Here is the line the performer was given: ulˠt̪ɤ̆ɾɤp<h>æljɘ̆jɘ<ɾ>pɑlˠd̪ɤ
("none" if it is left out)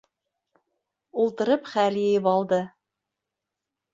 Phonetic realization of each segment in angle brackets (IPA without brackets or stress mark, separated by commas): χ, none